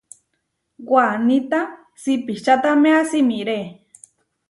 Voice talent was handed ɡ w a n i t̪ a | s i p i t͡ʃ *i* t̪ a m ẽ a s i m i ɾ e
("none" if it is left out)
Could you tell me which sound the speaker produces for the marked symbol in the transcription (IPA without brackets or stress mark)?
a